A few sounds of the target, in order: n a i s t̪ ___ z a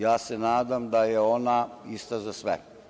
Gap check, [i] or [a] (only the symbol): a